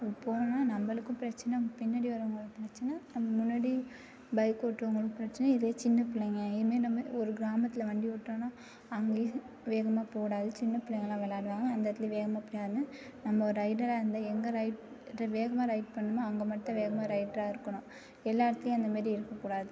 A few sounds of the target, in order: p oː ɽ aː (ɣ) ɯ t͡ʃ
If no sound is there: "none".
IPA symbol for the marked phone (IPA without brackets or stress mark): ð